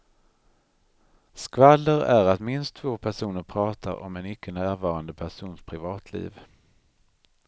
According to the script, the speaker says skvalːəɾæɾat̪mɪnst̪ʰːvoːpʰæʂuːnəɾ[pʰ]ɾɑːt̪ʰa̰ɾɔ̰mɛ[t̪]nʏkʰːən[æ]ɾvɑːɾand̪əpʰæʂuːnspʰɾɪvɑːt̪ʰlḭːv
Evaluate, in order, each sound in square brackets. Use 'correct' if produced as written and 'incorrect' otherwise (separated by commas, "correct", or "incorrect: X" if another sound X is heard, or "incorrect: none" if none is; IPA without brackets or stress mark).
correct, incorrect: none, incorrect: æː